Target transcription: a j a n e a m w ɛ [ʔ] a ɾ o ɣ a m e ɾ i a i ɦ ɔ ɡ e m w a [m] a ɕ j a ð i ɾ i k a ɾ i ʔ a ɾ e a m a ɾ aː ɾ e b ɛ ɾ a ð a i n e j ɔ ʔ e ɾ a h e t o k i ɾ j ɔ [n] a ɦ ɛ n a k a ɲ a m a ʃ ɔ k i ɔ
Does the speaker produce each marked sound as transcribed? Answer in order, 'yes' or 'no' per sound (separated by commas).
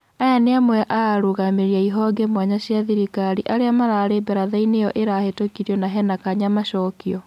yes, no, yes